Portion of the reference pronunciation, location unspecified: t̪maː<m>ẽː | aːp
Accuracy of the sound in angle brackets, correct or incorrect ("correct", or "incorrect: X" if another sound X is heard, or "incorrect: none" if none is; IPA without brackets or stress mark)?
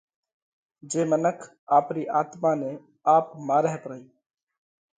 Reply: incorrect: n